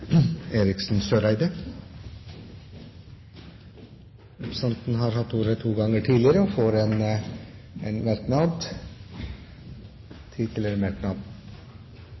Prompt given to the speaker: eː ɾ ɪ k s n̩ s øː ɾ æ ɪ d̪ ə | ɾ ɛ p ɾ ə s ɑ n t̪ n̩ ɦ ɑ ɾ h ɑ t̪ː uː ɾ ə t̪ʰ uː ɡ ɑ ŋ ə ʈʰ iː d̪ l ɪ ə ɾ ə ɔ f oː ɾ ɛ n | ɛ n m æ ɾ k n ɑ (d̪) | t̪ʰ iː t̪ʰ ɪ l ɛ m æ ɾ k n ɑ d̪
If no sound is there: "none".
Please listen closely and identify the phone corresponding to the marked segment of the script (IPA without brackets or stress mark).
d̪